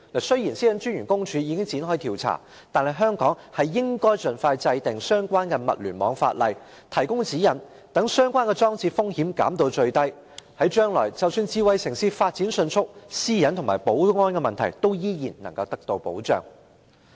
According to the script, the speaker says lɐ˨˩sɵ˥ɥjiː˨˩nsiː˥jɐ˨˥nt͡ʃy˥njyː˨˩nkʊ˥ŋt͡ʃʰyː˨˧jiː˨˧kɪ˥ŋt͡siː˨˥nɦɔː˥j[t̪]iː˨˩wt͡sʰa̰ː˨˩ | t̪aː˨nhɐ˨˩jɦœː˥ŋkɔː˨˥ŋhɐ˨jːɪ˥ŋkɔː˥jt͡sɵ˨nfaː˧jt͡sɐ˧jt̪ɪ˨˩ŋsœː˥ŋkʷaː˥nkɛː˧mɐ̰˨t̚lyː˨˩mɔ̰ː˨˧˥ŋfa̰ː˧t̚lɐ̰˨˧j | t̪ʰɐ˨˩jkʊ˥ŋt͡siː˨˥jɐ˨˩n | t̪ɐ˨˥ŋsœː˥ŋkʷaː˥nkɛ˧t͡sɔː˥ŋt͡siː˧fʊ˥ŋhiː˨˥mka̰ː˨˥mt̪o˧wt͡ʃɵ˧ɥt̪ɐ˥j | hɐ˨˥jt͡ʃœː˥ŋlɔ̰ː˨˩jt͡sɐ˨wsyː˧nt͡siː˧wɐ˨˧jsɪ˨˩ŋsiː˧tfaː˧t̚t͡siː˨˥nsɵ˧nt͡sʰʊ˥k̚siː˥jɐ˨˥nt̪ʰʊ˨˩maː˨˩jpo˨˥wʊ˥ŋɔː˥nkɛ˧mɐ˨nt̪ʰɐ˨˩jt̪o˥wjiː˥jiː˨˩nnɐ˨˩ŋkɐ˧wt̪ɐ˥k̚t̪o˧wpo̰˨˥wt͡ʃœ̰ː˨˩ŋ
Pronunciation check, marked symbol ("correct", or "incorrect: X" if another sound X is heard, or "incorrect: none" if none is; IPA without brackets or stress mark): incorrect: t̪ʰ